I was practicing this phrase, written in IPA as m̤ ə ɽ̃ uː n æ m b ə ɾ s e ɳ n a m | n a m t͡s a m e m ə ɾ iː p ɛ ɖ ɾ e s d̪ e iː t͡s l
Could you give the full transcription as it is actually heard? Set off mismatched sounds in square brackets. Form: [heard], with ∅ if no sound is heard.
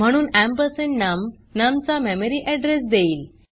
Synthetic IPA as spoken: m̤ ə ɽ̃ uː n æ m [p] ə ɾ s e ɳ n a m | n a m t͡s a m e m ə ɾ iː [ʔ] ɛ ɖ ɾ e s d̪ e iː [∅] l